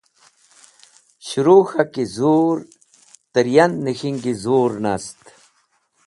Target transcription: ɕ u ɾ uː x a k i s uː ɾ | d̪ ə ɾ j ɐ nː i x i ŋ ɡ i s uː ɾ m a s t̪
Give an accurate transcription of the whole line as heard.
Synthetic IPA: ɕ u ɾ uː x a k i z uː ɾ | t̪ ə ɾ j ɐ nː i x i ŋ ɡ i z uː ɾ n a s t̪